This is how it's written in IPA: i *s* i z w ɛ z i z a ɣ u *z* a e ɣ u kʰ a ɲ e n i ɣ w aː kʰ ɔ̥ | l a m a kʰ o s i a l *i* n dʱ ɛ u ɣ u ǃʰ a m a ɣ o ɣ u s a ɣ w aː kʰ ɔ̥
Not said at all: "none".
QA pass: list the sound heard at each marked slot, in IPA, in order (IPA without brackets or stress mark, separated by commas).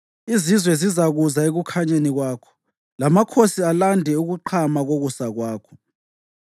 z, z, a